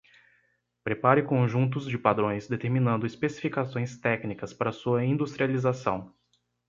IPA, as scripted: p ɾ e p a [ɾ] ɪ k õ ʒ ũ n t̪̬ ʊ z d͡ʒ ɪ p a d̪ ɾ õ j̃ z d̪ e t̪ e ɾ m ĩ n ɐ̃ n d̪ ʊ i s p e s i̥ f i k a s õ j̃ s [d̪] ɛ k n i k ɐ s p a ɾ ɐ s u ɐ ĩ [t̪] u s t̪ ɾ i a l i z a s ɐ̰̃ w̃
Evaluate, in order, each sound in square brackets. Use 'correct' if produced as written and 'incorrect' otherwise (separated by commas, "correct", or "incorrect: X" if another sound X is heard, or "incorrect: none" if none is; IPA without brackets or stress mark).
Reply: correct, incorrect: t̪, incorrect: d̪